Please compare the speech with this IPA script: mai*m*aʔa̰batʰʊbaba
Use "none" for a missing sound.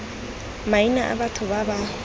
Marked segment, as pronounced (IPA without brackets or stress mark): n